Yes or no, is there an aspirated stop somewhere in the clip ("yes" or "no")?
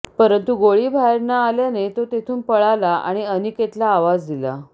yes